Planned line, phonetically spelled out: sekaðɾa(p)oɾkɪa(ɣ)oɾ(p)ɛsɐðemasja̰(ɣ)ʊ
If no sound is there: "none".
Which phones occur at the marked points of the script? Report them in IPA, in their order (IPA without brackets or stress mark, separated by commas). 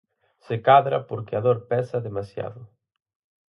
p, ð, p, ð